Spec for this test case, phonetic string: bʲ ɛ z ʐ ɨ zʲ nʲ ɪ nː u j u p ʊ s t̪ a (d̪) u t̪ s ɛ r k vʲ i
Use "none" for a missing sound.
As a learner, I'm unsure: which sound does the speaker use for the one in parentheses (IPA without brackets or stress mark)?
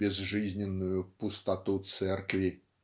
t̪